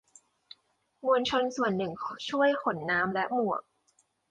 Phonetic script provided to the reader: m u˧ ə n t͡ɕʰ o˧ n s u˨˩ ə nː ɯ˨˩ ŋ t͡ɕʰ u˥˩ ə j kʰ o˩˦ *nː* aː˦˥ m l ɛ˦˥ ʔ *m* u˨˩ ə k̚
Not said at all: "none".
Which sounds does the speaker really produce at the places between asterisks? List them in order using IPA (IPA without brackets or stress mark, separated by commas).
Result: nː, m